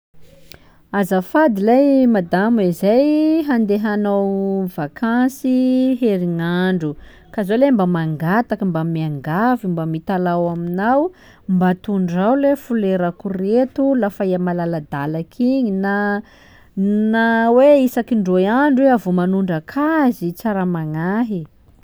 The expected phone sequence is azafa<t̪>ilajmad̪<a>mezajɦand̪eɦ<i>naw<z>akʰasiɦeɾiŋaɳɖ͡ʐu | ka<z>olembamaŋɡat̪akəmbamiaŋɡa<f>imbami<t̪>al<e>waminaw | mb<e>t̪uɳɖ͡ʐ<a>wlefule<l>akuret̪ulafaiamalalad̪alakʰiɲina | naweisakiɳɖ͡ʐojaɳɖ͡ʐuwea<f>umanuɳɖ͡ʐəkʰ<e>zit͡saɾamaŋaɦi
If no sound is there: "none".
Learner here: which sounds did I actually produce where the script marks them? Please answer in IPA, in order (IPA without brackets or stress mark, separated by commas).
d̪, a, a, v, z, v, t̪, a, a, a, ɾ, v, a